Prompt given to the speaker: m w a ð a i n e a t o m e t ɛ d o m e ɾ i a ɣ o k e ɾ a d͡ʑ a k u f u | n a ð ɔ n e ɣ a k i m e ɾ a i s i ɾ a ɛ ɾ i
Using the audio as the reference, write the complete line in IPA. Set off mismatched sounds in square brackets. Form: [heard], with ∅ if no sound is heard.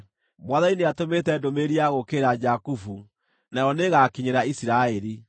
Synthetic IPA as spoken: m w a ð a i n e a t o m e t ɛ d o m e ɾ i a ɣ o k e ɾ a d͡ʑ a k u f u | n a [∅] ɔ n e ɣ a k i [ɲ] e ɾ a i s i ɾ a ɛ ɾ i